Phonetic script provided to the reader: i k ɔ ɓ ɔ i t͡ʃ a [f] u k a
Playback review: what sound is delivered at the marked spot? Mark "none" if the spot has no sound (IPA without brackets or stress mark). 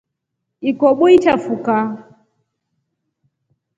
f